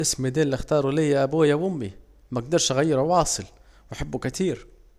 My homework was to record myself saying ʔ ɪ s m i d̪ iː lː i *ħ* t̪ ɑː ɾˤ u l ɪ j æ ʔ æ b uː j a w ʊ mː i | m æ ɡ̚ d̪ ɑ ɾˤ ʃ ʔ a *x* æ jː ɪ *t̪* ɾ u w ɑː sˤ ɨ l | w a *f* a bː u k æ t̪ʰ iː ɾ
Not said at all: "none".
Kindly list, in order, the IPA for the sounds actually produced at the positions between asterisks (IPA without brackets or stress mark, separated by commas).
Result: x, ɣ, none, ħ